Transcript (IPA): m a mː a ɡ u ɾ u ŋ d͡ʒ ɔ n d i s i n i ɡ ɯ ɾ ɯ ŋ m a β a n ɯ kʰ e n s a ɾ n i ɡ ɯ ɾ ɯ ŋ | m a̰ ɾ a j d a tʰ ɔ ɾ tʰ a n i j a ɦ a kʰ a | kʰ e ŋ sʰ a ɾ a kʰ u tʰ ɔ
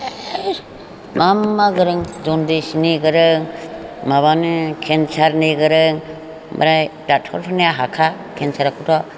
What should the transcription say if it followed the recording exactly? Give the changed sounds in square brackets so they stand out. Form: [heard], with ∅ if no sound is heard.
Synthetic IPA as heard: m a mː a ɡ [ɯ] ɾ [ɯ] ŋ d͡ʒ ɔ n d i s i n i ɡ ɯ ɾ ɯ ŋ m a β a n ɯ kʰ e n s a ɾ n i ɡ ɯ ɾ ɯ ŋ | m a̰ ɾ a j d a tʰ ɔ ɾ [pʰ] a n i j a ɦ a kʰ a | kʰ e [n] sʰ a ɾ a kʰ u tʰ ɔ